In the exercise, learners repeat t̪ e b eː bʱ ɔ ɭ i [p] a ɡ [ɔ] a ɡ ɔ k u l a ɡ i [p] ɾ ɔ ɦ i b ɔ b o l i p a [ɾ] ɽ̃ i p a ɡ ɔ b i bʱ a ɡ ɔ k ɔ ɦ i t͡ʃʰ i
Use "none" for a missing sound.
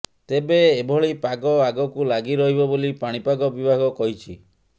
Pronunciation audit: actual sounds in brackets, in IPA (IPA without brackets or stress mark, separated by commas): p, ɔ, none, none